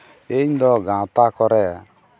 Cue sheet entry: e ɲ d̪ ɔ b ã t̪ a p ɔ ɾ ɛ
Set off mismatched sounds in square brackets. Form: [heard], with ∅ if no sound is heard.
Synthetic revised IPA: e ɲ d̪ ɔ [ɡ] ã t̪ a [k] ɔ ɾ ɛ

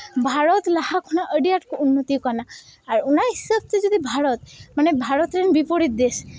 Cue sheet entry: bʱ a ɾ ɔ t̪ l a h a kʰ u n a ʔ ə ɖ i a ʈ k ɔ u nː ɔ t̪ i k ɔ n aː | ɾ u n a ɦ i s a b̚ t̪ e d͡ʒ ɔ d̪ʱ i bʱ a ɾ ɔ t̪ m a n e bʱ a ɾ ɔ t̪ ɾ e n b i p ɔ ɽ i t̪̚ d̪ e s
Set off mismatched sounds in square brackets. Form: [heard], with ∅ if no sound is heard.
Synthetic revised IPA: bʱ a ɾ ɔ t̪ l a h a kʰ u n a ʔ ə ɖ i a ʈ k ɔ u nː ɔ t̪ i k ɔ n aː | ɾ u n a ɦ i s a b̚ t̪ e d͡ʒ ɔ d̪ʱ i bʱ a ɾ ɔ t̪ m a n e bʱ a ɾ ɔ t̪ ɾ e n b i p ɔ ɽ i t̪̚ d̪ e s

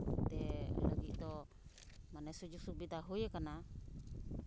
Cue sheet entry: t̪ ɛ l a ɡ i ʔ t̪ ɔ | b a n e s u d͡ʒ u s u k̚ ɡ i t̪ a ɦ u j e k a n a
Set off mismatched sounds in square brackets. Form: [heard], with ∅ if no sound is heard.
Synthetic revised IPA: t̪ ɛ l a ɡ i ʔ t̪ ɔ | [m] a n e s u d͡ʒ u s u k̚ [b] i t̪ a ɦ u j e k a n a

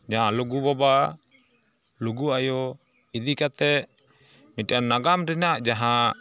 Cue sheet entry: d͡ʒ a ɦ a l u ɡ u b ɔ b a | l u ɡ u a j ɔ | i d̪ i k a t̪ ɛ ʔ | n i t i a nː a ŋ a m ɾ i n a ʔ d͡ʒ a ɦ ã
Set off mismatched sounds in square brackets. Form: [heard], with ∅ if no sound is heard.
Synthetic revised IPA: d͡ʒ a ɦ a l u ɡ u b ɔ b a | l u ɡ u a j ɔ | i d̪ i k a t̪ ɛ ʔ | [m] i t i a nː a [ɡ] a m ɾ i n a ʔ d͡ʒ a ɦ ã

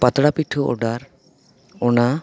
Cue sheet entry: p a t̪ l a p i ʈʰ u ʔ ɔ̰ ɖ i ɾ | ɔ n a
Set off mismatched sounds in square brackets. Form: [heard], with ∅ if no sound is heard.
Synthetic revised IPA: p a t̪ [ɽ] a p i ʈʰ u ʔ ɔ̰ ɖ [a] ɾ | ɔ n a

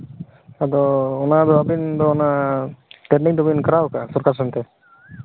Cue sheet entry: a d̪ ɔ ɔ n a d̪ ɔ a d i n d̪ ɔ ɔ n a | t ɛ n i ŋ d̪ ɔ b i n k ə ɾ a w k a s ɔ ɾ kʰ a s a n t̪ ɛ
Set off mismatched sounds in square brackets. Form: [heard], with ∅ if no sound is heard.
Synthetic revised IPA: a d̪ ɔ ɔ n a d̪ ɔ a [b] i n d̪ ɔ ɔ n a | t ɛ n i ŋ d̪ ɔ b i n k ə ɾ a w k a s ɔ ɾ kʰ a s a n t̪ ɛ

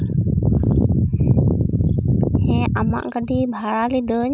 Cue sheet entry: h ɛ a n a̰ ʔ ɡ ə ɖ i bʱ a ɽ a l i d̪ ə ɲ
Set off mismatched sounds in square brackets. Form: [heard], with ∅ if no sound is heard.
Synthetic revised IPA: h ɛ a [m] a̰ ʔ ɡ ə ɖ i bʱ a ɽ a l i d̪ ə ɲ

